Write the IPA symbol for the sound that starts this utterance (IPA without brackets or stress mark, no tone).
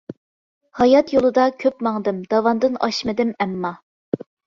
h